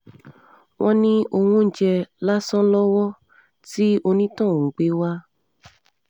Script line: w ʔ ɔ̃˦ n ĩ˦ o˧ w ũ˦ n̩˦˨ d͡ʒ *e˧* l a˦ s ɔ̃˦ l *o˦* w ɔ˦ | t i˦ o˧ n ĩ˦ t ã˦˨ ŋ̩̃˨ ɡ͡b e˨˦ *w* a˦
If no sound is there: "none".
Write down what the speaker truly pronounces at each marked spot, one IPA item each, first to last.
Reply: ɛ˧, ɔ˦, w

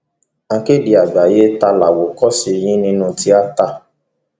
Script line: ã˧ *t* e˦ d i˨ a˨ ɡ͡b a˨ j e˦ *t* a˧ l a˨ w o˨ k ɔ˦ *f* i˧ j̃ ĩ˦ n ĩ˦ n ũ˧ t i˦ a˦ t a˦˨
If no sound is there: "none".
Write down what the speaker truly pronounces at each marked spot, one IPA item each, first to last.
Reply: k, t, s

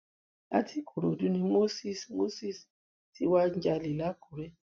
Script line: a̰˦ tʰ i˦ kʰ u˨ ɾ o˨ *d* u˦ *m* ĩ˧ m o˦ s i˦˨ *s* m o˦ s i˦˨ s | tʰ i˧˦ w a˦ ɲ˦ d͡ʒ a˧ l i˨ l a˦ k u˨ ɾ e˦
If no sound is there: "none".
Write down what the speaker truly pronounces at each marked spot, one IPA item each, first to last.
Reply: d, n, s

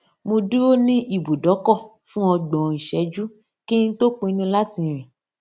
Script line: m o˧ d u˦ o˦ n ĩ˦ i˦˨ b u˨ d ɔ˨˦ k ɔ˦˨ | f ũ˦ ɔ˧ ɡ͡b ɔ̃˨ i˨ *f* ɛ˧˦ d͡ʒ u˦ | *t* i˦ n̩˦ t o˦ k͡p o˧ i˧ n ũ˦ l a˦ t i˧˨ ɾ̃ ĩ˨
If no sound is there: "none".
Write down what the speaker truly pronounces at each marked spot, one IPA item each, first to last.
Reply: ʃ, k

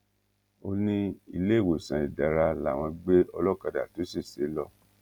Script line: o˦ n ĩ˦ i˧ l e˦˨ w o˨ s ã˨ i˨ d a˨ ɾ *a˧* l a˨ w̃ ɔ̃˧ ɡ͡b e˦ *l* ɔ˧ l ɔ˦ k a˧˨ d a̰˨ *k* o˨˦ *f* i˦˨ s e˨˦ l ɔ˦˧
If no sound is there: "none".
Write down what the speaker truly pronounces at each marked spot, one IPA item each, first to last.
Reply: a˧, none, t, s

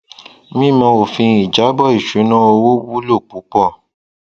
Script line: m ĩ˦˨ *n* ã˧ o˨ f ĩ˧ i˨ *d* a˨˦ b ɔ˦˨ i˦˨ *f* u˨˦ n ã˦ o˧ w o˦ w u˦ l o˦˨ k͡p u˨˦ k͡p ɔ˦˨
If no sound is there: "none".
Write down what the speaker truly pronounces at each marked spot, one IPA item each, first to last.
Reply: m, d͡ʒ, ʃ

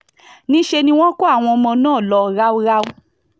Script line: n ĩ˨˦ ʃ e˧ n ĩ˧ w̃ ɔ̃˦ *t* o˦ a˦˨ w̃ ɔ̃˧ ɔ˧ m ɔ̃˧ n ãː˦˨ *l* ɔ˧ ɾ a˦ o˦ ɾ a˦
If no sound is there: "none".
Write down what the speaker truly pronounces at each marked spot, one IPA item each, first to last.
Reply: k, l

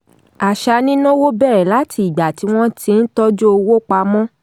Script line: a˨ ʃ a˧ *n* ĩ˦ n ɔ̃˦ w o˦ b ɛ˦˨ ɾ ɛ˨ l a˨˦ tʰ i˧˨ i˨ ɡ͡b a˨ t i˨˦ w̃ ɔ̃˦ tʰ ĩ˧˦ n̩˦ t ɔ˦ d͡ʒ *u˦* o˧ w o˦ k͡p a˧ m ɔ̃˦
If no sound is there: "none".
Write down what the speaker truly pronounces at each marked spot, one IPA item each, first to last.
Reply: n, o˦

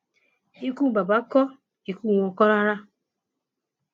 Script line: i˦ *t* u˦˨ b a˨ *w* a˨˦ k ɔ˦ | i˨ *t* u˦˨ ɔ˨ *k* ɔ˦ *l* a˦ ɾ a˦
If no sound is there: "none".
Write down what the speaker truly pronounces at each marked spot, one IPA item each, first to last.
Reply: k, b, k, k, ɾ

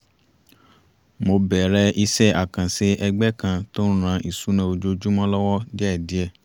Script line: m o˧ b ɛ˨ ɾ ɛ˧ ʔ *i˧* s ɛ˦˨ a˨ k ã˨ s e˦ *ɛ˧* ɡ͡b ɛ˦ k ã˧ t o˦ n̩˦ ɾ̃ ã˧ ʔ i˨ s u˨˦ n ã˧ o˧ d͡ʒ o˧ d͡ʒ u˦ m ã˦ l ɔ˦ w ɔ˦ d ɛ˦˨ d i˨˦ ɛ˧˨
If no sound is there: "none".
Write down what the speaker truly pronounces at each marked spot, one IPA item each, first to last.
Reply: i˧, ɛ˧

